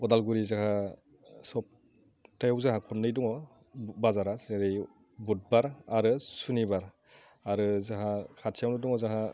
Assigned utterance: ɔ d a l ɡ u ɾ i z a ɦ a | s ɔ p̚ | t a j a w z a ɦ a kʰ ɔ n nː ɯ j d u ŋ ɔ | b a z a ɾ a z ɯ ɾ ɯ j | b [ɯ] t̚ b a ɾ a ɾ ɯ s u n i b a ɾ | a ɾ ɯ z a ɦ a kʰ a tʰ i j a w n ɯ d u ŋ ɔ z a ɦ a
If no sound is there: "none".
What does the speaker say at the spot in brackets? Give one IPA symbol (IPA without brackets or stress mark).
u